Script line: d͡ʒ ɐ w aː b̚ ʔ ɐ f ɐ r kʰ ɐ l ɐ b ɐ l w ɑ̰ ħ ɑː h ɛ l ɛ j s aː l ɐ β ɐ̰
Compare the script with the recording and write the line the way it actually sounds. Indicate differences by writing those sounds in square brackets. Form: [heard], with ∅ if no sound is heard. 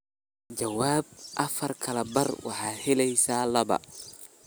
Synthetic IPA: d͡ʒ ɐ w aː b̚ ʔ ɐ f ɐ r kʰ ɐ l ɐ b ɐ [r] w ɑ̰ ħ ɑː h ɛ l ɛ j s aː l ɐ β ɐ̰